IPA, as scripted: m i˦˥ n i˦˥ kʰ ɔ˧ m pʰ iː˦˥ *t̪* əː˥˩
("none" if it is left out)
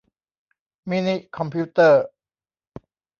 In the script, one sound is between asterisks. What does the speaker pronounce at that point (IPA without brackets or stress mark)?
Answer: t̪